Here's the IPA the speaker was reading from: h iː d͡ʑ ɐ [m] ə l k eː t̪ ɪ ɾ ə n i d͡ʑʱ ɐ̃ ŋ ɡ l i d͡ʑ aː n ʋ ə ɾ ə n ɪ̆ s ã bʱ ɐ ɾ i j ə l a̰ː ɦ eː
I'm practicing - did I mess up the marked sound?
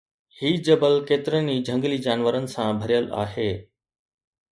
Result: yes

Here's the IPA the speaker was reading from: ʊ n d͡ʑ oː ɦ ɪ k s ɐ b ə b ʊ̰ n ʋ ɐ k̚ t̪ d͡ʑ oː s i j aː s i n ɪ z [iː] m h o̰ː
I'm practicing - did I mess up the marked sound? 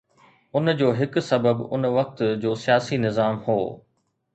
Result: yes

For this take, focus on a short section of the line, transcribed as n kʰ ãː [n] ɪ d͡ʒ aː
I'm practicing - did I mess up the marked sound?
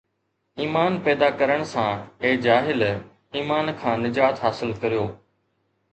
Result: no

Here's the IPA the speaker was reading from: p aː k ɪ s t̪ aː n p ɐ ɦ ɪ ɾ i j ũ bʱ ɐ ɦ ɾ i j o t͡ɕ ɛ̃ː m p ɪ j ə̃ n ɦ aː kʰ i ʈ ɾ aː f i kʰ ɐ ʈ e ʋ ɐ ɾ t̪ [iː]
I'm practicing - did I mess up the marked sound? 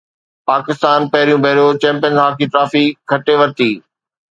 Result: no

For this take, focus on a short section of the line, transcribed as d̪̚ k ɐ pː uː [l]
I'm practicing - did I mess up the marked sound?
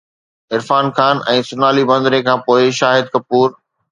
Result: yes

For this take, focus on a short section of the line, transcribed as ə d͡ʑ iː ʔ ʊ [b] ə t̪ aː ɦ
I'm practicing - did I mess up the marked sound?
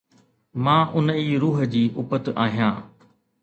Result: yes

